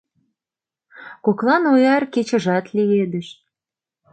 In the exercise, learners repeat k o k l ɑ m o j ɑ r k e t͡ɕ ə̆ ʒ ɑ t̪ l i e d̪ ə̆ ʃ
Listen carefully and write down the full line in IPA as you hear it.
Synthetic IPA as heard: k o k l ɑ n o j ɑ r k e t͡ɕ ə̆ ʒ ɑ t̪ l i e d̪ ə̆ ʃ